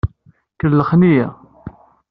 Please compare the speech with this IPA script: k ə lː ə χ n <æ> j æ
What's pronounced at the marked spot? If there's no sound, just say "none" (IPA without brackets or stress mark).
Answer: i